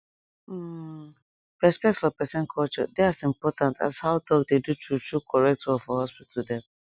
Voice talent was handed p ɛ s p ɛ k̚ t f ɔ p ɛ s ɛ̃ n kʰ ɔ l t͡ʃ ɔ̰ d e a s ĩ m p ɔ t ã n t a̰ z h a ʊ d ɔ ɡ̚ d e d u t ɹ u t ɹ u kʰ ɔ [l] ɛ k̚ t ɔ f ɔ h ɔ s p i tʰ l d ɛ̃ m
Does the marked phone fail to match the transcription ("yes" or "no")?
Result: yes